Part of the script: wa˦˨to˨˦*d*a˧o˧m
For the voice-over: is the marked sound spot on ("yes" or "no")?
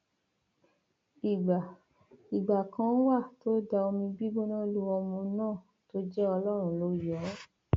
yes